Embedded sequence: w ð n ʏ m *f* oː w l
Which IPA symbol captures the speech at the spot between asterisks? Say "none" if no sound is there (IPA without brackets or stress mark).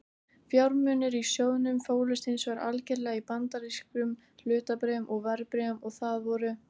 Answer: f